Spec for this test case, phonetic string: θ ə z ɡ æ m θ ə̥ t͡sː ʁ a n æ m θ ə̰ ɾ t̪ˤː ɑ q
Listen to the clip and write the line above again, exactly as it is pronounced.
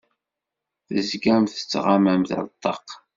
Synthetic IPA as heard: θ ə z ɡ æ m θ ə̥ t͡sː ʁ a m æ m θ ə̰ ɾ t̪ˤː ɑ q